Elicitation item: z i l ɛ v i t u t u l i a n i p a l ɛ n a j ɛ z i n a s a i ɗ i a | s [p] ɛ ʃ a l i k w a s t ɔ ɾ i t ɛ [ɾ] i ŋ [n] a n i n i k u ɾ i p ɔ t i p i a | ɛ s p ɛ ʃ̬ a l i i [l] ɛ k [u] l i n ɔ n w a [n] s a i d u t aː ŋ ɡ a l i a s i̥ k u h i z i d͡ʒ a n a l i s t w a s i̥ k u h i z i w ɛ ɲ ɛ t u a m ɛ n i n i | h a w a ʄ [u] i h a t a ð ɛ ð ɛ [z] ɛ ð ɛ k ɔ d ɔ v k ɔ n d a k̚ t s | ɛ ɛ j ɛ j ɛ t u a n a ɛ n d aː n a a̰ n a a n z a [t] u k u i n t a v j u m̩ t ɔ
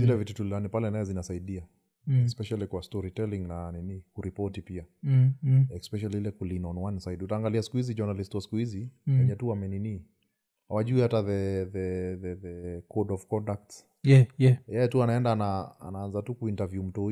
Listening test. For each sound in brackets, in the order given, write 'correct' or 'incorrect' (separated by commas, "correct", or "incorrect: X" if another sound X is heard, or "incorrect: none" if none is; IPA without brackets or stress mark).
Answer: correct, incorrect: l, correct, correct, correct, correct, correct, incorrect: ð, correct